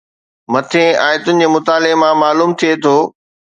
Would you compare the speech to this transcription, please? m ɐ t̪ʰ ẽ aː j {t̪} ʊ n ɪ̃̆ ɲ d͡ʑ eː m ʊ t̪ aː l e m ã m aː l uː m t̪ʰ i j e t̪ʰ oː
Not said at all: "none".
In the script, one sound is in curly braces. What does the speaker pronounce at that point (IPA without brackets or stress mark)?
t̪